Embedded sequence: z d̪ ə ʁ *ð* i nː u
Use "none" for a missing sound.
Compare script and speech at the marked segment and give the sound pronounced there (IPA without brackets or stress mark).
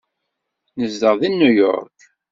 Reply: ð